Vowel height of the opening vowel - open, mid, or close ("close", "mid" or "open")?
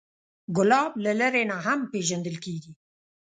close